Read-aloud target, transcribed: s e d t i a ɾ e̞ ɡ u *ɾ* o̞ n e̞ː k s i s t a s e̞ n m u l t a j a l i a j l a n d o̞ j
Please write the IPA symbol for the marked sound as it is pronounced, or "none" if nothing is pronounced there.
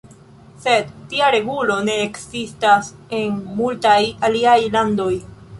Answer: l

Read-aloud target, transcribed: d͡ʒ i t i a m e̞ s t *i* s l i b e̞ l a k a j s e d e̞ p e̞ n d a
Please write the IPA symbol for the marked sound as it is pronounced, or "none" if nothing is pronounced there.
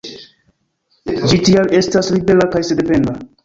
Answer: a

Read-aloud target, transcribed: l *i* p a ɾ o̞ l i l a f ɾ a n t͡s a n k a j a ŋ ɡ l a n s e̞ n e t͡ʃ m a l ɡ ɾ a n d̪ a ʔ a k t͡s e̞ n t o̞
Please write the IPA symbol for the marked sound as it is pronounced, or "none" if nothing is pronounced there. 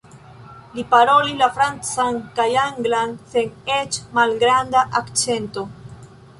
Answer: i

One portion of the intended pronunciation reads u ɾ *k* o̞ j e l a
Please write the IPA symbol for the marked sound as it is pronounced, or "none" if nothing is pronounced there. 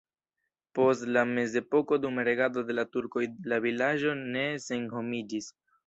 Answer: k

